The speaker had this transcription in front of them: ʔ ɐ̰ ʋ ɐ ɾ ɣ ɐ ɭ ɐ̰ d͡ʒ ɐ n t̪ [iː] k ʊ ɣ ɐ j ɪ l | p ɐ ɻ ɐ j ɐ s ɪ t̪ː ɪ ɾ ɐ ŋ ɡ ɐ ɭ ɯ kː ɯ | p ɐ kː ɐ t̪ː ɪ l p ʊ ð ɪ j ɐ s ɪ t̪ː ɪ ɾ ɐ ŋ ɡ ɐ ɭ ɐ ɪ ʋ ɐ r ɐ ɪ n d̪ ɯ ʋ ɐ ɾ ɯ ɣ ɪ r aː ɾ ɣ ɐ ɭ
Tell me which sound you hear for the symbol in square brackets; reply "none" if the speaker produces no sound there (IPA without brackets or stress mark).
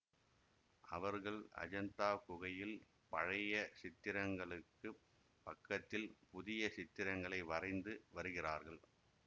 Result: aː